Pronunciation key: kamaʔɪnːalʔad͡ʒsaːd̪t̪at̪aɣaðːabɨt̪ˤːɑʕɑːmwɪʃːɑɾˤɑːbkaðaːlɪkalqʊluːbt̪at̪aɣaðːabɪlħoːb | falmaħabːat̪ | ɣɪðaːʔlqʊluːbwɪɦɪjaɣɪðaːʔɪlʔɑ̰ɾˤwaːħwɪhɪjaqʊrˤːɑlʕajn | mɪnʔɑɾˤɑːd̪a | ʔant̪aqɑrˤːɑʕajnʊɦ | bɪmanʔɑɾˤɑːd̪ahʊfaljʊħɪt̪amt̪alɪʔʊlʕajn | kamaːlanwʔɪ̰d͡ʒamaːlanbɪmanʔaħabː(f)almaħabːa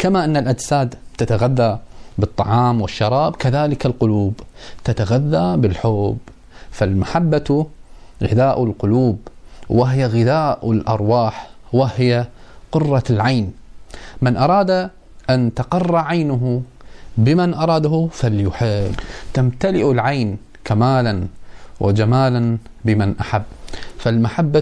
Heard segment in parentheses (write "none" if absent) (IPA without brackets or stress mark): f